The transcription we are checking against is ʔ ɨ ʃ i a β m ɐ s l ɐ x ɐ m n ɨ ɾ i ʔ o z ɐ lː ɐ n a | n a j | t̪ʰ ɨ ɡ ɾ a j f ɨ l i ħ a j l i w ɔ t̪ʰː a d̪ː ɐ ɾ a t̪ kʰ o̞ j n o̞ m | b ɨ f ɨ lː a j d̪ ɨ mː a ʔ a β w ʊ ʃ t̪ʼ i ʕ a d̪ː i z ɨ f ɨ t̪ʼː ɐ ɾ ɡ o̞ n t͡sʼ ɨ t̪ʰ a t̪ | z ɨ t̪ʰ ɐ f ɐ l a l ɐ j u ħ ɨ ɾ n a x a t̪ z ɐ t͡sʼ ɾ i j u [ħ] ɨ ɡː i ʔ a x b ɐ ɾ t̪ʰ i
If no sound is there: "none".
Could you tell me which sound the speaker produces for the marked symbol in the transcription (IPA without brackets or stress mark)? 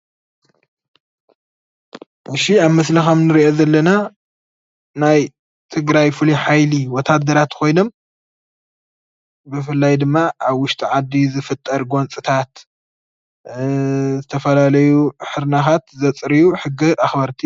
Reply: ħ